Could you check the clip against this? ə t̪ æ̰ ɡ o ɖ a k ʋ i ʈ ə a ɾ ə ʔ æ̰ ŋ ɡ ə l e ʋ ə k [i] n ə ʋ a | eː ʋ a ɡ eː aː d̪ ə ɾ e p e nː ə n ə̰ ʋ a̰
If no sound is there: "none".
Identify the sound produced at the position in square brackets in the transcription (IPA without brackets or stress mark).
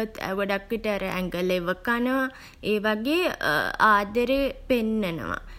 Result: a